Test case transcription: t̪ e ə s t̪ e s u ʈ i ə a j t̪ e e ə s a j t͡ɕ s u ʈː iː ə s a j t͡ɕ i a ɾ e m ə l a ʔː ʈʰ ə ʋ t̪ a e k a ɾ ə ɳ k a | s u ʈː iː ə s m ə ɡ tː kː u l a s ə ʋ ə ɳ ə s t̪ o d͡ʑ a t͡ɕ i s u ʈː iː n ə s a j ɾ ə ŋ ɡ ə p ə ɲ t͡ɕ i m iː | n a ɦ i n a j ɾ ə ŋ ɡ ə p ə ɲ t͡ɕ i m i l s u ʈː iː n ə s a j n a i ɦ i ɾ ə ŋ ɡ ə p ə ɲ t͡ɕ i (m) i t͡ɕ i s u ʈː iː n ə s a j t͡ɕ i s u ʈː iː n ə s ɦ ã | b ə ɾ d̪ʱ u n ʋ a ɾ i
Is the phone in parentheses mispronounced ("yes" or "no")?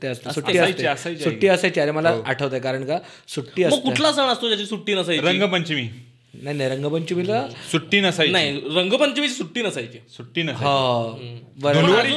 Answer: no